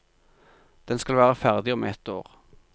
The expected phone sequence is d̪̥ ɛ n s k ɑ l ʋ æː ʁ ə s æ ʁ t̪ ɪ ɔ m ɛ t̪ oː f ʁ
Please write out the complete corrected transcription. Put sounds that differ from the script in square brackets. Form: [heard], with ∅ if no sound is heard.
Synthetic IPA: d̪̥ ɛ n s k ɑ l ʋ æː ʁ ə [f] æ ʁ [d̪] ɪ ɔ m ɛ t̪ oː [∅] ʁ